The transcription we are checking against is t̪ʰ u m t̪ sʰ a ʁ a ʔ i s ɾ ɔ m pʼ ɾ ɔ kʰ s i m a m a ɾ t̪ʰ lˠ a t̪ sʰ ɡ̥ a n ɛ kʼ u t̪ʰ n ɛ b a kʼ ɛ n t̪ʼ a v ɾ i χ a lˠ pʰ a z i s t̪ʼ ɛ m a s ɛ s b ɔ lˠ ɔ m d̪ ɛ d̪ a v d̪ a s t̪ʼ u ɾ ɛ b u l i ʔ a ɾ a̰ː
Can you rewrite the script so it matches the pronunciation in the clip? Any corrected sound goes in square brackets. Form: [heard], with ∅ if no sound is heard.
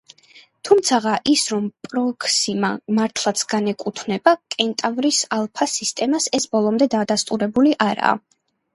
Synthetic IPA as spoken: t̪ʰ u m t̪ sʰ a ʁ a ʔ i s ɾ ɔ m pʼ ɾ ɔ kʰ s i m a m a ɾ t̪ʰ lˠ a t̪ sʰ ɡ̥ a n ɛ kʼ u t̪ʰ n ɛ b a kʼ ɛ n t̪ʼ a v ɾ i [s] a lˠ pʰ a [s] i s t̪ʼ ɛ m a s ɛ s b ɔ lˠ ɔ m d̪ ɛ d̪ a [∅] d̪ a s t̪ʼ u ɾ ɛ b u l i ʔ a ɾ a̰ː